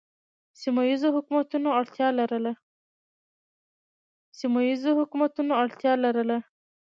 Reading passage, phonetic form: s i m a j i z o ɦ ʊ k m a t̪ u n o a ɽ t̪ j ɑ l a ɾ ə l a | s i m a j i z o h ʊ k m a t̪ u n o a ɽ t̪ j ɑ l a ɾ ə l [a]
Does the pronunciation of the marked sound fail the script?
no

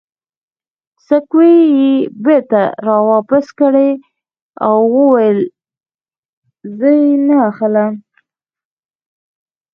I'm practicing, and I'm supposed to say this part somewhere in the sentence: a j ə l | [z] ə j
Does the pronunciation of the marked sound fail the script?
no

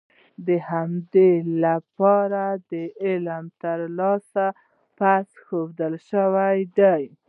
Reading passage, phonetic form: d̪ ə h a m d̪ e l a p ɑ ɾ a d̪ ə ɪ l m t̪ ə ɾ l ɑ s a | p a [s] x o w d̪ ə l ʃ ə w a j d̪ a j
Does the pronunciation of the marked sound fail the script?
no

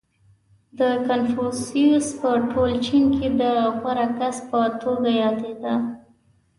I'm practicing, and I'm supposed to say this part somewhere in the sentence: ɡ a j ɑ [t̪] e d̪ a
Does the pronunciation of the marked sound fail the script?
yes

